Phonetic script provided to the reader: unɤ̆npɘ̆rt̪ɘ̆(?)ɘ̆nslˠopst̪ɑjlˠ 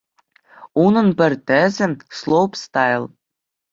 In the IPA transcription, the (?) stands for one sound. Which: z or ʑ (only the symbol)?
z